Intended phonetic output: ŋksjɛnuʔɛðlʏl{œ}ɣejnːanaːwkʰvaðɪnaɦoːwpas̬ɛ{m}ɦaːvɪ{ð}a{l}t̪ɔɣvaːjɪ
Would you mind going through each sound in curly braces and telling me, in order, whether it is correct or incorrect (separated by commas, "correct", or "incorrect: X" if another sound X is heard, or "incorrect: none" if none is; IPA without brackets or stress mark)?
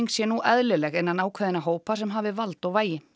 incorrect: ɛ, correct, incorrect: v, correct